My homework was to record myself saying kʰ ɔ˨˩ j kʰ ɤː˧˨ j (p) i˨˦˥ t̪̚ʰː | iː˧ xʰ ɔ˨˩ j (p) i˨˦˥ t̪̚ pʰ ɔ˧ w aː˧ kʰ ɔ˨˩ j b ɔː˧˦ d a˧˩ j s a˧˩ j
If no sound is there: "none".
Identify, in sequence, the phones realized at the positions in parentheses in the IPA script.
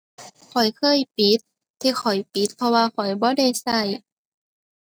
p, p

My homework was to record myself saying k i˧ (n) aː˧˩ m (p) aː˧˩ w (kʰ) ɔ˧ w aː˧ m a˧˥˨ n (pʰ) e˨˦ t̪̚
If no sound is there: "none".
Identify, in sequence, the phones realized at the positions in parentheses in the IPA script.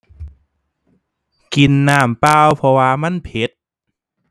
nː, p, pʰ, pʰ

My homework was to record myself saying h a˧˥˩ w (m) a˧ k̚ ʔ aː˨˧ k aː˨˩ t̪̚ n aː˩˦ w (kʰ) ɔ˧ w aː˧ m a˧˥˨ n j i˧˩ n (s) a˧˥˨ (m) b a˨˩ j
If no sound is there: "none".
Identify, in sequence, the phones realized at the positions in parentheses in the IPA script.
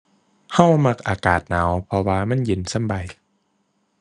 m, pʰ, s, m

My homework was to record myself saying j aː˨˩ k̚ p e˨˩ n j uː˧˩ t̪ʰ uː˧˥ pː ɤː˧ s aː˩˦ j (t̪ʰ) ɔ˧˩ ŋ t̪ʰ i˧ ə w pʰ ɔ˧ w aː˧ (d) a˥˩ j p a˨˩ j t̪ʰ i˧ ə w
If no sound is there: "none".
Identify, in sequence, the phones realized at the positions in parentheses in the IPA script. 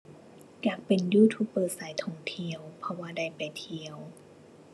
t̪ʰ, d

